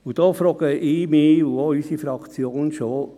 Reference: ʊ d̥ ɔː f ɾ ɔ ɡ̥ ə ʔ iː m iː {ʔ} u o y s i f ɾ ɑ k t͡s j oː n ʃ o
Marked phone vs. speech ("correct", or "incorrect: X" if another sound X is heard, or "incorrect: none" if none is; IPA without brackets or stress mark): incorrect: none